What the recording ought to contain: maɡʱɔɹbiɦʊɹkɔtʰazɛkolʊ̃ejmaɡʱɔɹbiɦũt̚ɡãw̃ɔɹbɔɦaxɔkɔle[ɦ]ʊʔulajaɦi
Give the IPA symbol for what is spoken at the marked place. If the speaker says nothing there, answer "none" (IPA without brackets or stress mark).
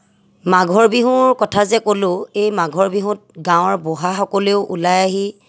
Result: none